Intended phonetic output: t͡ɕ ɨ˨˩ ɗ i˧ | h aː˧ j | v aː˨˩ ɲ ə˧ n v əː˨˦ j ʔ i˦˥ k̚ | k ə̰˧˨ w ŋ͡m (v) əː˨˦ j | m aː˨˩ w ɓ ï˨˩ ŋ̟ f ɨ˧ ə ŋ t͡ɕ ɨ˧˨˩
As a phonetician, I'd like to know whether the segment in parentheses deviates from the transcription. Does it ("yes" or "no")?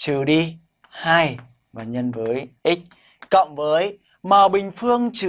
no